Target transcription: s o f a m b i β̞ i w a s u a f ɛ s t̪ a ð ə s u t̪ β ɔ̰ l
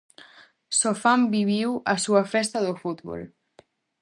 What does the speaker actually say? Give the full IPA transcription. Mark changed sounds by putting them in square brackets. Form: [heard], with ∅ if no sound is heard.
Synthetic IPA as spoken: s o f a m b i β̞ i w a s u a f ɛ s t̪ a ð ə [f] u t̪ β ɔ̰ l